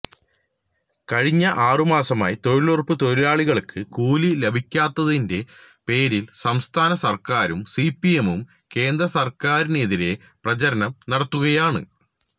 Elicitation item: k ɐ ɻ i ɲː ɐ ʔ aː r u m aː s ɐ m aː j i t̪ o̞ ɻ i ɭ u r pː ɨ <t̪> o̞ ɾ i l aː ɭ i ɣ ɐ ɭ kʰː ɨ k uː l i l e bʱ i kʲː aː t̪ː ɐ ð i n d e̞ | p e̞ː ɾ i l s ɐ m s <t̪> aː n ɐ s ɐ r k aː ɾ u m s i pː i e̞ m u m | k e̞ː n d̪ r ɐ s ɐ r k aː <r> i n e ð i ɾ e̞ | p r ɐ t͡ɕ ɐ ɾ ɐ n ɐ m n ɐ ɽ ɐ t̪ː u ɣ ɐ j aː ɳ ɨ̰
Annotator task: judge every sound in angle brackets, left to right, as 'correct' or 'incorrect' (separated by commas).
correct, incorrect, incorrect